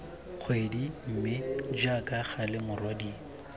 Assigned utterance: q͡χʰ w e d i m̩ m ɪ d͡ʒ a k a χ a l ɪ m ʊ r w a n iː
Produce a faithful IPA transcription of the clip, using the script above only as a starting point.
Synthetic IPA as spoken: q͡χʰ w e d i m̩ m ɪ d͡ʒ a k a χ a l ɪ m ʊ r w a d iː